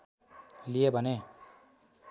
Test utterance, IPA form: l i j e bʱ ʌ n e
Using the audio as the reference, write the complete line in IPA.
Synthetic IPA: l i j e bʱ ʌ n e